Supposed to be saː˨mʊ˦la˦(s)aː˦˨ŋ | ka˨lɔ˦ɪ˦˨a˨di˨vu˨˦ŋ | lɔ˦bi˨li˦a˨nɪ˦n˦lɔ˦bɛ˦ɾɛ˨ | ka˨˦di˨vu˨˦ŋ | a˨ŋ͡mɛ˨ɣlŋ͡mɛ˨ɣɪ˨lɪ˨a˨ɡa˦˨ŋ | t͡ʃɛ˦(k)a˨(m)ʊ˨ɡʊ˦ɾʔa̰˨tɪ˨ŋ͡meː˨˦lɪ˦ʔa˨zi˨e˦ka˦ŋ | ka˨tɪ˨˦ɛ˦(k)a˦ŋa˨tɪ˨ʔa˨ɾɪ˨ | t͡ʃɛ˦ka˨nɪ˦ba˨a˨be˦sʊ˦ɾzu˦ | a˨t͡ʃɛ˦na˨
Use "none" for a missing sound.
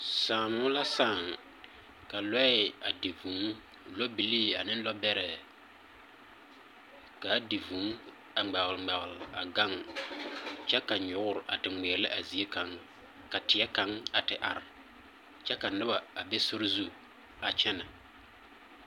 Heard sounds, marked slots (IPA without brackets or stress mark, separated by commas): s, k, ɲ, k